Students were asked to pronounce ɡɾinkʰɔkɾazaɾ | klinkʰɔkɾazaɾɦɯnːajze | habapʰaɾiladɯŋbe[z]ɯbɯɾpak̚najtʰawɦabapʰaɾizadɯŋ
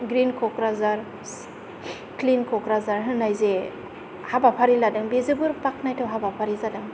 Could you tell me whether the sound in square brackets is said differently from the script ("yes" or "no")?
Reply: no